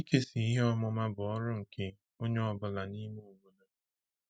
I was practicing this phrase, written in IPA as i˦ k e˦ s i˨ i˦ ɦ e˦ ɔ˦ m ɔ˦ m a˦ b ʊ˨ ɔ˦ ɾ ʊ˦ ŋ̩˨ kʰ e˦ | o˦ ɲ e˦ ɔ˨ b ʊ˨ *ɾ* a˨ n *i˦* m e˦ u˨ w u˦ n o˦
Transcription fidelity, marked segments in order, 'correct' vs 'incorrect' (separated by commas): incorrect, correct